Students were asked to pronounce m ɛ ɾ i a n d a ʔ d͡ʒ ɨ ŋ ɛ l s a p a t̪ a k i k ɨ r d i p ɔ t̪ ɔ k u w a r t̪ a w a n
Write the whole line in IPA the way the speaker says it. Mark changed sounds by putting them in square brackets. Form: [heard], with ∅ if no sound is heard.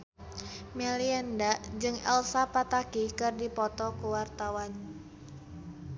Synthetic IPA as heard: m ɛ [l] i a n d a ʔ d͡ʒ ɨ ŋ ɛ l s a p a t̪ a k i k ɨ r d i p ɔ t̪ ɔ k u w a r t̪ a w a n